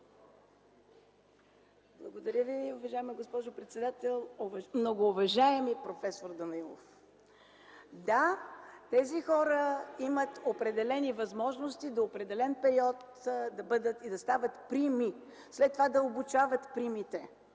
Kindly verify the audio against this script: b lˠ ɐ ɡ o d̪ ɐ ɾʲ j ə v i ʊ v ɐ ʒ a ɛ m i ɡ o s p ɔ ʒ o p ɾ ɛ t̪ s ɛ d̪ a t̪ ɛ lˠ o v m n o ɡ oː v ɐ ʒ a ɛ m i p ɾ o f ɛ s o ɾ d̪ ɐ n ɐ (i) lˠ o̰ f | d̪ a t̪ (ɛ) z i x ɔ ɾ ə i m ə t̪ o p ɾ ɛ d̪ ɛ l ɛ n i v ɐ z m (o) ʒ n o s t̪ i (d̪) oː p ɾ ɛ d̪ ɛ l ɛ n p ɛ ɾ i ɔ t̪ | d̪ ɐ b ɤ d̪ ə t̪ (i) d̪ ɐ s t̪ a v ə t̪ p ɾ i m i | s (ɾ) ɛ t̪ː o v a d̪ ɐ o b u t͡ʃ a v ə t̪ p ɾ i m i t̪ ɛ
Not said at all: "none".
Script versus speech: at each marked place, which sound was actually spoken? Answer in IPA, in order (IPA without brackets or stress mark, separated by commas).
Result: i, ɛ, ɔ, d̪, i, l